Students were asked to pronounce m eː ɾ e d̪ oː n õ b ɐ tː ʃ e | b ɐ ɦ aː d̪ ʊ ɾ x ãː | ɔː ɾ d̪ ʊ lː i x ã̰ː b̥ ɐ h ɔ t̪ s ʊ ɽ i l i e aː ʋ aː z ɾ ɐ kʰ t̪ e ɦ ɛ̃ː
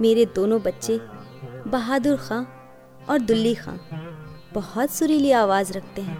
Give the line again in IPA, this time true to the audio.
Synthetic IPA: m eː ɾ e d̪ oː n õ b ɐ tː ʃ e | b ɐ ɦ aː d̪ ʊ ɾ x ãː | ɔː ɾ d̪ ʊ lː i x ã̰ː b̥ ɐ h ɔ t̪ s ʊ ɾ i l i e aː ʋ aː z ɾ ɐ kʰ t̪ e ɦ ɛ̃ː